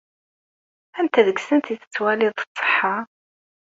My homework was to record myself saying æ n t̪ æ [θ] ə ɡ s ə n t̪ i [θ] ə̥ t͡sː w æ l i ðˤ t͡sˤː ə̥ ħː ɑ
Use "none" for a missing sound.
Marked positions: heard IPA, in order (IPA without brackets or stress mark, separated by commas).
ð, θ